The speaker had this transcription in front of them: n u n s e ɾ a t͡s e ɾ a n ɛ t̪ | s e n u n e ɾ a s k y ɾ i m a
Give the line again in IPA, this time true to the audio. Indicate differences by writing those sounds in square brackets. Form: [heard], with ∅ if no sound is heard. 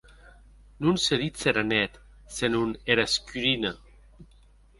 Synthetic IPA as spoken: n u n s e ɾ [i] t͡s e ɾ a n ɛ t̪ | s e n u n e ɾ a s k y ɾ i [n] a